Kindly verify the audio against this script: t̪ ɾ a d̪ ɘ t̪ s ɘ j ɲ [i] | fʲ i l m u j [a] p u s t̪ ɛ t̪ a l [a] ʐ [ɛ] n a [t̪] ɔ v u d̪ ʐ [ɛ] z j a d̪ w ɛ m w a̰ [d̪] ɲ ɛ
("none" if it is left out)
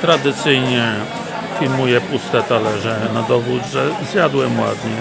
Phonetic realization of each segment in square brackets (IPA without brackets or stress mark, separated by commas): ɛ, ɛ, ɛ, ɛ, d̪, ɛ, d̪